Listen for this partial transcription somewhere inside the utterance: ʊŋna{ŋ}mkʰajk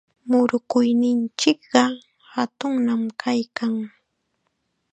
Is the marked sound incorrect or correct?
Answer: incorrect